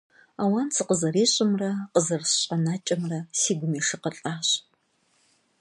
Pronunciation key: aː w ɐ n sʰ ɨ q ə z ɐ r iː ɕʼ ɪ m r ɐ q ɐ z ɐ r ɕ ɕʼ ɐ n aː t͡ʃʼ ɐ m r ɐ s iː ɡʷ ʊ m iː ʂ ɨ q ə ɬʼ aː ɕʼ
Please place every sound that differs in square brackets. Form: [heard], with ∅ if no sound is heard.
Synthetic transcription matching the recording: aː w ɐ n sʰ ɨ q ə z ɐ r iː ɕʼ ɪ m r ɐ q [ə] z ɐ r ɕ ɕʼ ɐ n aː t͡ʃʼ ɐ m r ɐ s iː ɡʷ ʊ m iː ʂ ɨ q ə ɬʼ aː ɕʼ